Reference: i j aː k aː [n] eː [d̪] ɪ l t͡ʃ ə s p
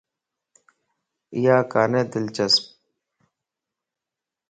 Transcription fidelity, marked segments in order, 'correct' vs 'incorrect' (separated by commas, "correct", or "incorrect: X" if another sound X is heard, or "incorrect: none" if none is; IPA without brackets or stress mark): correct, correct